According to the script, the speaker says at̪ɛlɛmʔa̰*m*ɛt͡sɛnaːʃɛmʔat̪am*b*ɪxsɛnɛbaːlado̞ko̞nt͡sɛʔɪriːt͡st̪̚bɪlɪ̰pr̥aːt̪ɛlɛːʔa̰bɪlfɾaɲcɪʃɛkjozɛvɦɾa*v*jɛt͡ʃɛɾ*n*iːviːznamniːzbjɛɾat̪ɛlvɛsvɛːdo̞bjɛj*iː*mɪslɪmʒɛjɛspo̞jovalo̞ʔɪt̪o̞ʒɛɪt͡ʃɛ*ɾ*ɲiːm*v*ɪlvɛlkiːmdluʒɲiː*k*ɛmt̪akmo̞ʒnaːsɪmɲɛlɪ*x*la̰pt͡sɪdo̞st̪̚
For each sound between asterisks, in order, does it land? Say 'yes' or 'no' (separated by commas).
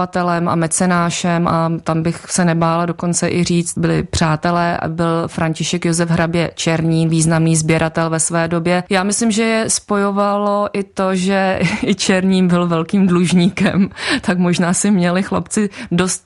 yes, yes, no, no, no, yes, no, yes, yes